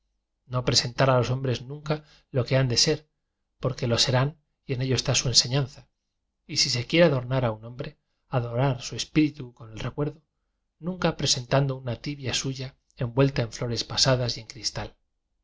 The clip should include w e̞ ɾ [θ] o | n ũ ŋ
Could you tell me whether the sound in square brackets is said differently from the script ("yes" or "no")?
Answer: yes